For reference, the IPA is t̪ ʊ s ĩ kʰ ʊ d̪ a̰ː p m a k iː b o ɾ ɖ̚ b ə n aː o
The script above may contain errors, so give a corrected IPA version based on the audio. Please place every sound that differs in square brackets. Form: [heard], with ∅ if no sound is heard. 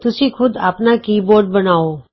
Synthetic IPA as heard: t̪ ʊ s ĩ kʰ ʊ d̪ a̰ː p [n] a k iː b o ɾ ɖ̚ b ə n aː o